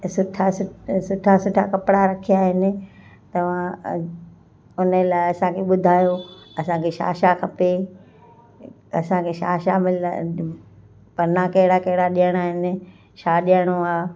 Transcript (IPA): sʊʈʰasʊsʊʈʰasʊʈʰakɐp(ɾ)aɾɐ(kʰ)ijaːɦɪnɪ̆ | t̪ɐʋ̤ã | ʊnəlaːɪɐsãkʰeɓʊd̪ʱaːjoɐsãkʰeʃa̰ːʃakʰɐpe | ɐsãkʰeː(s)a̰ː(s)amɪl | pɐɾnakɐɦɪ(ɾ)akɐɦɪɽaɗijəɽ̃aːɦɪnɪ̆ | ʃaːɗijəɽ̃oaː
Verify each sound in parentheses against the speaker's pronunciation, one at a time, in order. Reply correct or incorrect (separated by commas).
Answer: incorrect, correct, incorrect, incorrect, incorrect